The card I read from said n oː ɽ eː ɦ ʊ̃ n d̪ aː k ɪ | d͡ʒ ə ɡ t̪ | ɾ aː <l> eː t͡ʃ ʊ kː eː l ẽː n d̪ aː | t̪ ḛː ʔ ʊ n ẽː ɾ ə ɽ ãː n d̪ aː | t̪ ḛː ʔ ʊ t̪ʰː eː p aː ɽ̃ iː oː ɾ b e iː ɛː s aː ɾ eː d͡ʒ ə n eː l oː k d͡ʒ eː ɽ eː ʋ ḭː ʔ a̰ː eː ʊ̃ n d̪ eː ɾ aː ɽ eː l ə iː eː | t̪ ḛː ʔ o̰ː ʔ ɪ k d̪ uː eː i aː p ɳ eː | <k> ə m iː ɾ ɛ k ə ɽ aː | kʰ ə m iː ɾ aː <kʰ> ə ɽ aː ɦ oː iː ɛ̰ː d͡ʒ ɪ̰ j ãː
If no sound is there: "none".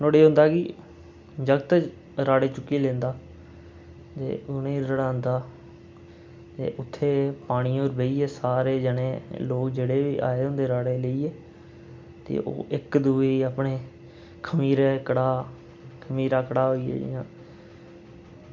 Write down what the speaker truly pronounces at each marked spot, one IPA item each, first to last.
ɽ, kʰ, k

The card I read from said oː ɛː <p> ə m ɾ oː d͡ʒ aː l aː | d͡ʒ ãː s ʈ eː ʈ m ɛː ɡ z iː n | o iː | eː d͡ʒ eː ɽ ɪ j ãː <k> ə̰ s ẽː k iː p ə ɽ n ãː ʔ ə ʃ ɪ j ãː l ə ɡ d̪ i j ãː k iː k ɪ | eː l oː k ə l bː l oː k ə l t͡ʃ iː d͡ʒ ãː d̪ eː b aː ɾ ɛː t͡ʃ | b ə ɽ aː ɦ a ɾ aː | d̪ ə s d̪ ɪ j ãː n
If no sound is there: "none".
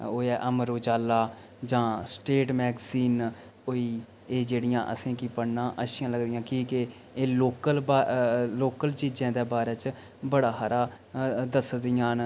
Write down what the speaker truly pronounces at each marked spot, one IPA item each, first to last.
ʔ, ʔ

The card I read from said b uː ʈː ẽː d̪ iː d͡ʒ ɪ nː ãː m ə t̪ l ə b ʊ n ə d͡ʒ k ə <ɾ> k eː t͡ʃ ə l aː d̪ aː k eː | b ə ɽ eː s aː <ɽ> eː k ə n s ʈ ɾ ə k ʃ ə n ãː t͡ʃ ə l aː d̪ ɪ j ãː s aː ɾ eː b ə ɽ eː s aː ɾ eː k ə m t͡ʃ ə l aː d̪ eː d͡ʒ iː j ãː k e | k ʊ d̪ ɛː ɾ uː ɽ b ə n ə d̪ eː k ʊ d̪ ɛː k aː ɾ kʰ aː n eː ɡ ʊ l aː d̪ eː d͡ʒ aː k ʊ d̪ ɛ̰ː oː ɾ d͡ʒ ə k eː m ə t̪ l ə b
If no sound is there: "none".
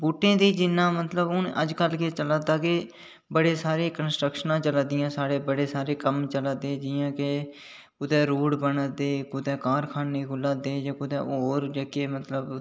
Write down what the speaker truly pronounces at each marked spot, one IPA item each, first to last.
l, ɾ

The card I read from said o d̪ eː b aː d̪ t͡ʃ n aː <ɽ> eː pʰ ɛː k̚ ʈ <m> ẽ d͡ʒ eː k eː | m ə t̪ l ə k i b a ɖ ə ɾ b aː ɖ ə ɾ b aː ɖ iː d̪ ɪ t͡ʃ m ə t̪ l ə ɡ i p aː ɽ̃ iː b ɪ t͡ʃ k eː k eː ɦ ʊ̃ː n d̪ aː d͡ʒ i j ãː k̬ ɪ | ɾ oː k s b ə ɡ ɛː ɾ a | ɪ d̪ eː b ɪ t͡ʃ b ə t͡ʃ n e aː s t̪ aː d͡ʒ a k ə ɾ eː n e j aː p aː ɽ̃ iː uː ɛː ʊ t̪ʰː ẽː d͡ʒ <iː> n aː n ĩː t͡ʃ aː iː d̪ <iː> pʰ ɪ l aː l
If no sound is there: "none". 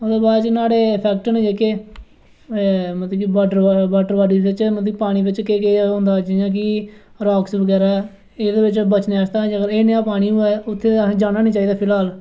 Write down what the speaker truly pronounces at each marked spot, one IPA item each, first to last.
ɽ, n, aː, aː

